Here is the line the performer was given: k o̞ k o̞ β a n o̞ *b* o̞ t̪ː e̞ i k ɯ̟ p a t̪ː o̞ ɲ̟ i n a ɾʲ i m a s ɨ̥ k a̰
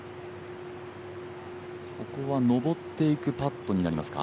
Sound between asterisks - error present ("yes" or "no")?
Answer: no